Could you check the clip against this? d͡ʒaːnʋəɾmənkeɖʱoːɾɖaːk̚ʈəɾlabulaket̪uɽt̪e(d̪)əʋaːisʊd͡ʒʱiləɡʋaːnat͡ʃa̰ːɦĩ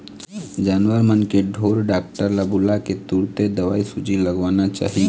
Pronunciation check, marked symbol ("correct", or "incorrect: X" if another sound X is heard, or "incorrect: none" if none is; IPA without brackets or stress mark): correct